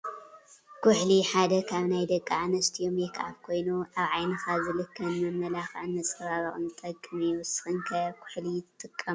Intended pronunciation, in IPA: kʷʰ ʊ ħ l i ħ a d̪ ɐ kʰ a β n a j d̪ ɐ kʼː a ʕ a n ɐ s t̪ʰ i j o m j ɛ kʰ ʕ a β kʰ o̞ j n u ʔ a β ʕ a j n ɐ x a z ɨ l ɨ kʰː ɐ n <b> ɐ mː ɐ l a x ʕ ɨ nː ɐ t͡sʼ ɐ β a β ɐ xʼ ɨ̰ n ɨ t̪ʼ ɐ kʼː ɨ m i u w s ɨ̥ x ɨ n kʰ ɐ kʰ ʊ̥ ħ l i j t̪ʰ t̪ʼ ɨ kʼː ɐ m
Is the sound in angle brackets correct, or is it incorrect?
incorrect